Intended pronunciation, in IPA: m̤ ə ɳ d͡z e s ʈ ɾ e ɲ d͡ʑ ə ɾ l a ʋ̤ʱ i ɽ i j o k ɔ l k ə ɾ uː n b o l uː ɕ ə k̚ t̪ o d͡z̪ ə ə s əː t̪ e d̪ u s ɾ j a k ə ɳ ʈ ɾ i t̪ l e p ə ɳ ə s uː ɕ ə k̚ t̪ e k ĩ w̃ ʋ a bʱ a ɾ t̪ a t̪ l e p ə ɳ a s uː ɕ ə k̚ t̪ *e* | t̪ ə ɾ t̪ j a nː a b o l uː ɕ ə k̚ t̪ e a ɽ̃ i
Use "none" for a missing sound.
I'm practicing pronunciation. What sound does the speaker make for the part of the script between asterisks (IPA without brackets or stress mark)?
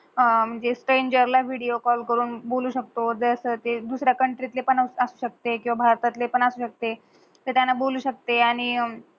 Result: e